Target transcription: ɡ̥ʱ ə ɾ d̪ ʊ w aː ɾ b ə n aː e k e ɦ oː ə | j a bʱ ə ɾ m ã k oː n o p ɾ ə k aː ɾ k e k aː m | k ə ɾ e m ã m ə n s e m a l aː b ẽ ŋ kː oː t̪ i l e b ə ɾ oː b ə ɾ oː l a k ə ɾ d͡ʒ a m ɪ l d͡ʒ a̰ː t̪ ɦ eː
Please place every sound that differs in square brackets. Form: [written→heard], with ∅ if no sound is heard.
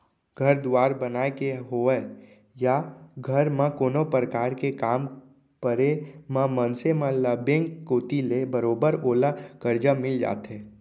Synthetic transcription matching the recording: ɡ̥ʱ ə ɾ d̪ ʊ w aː ɾ b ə n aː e k e ɦ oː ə | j a [bʱ→ɡʱ] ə ɾ m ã k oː n o p ɾ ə k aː ɾ k e k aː m | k ə ɾ e m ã m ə n s e m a l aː b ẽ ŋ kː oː t̪ i l e b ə ɾ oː b ə ɾ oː l a k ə ɾ d͡ʒ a m ɪ l d͡ʒ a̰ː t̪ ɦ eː